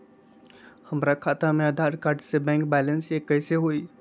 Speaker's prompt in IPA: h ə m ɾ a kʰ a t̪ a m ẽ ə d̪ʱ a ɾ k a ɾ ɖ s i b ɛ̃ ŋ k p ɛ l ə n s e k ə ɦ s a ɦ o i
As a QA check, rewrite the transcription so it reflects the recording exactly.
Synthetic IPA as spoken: h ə m ɾ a kʰ a t̪ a m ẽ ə d̪ʱ a ɾ k a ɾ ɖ s e b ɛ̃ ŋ k b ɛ l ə n s e k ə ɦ s e ɦ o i